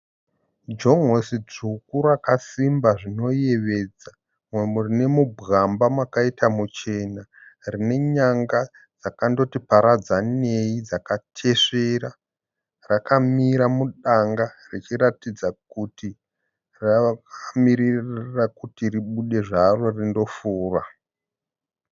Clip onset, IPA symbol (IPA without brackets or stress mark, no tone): d͡ʒ